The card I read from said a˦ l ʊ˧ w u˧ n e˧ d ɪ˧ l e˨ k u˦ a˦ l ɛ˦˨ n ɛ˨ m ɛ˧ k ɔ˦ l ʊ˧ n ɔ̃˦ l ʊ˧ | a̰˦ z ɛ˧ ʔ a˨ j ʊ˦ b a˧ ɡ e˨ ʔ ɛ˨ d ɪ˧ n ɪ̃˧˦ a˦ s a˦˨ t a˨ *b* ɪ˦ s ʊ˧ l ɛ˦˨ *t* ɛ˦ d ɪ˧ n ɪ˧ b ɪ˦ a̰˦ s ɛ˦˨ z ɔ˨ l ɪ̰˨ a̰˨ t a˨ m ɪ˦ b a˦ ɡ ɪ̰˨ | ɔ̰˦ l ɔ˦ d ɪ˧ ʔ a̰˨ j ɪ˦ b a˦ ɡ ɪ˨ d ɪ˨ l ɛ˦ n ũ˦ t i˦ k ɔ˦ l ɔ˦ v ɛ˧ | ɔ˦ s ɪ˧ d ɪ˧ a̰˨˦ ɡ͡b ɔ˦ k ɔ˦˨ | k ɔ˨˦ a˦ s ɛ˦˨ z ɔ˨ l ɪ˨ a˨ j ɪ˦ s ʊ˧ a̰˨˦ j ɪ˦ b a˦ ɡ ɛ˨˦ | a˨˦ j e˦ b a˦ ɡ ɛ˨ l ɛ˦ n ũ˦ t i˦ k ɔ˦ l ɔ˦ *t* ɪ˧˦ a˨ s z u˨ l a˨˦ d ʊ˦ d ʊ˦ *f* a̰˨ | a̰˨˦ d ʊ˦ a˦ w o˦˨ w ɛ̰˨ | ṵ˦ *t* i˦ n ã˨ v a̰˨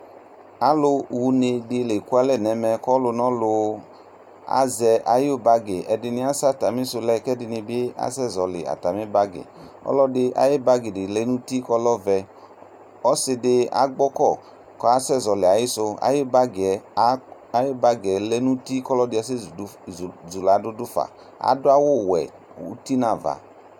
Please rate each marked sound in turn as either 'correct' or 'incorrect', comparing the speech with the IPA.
incorrect: m, incorrect: k, incorrect: d, correct, correct

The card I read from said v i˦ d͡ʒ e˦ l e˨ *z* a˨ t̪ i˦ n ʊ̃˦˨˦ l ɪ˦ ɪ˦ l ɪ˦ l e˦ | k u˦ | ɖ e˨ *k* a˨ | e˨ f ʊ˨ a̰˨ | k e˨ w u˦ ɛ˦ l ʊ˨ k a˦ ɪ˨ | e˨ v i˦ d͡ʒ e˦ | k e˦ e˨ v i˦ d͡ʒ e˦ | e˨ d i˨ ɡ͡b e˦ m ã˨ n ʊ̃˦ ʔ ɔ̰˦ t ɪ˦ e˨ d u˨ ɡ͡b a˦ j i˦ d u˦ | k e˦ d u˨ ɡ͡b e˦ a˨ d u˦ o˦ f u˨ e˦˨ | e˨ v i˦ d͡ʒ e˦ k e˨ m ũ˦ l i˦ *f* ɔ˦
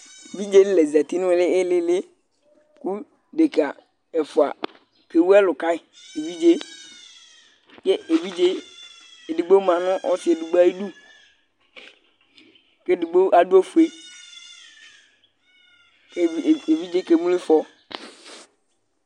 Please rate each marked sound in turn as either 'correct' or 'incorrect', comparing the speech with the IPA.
correct, correct, correct

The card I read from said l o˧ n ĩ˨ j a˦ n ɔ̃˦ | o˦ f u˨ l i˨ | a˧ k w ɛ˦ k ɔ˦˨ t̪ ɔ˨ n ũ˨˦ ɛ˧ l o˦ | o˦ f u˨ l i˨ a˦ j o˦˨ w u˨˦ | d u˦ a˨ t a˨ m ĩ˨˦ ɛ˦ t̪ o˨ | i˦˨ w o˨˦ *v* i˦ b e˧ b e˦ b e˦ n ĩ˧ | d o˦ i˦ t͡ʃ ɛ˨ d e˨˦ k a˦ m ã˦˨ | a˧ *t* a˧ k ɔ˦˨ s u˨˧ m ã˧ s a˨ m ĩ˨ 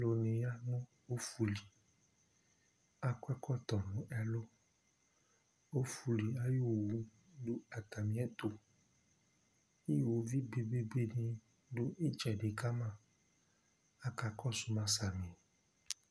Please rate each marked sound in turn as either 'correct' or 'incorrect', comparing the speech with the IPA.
correct, incorrect: k

